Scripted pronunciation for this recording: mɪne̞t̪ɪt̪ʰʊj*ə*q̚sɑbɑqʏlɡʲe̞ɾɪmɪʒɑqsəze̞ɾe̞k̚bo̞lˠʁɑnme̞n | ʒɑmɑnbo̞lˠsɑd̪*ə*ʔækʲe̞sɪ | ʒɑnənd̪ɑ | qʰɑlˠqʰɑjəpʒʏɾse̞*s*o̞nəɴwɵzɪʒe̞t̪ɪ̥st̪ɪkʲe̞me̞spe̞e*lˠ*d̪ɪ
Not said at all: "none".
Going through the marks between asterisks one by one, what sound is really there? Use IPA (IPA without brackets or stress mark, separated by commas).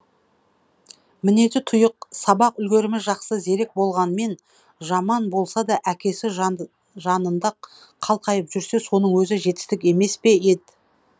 ə, ɑ, s, none